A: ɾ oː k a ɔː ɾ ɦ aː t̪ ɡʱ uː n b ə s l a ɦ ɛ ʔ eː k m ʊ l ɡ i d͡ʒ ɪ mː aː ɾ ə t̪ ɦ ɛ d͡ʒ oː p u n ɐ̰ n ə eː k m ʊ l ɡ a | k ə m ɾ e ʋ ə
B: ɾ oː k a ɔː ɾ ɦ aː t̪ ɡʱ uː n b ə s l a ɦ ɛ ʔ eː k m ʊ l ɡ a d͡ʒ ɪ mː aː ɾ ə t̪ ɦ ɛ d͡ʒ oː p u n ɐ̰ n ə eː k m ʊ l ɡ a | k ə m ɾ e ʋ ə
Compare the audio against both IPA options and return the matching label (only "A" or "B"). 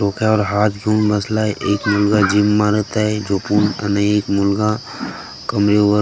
B